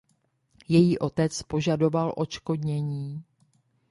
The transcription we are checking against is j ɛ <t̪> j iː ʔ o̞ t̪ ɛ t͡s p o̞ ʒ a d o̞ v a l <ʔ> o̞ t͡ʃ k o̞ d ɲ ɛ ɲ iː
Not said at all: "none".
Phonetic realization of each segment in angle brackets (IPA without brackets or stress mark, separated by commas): none, ʔ